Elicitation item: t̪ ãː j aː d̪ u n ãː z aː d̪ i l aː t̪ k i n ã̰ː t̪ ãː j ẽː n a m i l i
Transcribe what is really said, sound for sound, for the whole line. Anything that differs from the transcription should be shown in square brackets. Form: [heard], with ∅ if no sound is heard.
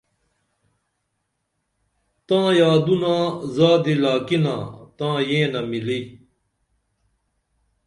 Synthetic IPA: t̪ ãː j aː d̪ u n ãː z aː d̪ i l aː [∅] k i n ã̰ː t̪ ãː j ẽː n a m i l i